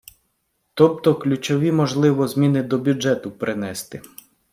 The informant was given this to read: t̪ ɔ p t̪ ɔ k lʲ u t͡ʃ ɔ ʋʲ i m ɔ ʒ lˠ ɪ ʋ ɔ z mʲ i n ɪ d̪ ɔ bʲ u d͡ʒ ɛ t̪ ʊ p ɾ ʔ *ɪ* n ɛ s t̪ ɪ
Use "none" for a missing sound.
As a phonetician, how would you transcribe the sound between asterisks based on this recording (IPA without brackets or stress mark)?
ɪ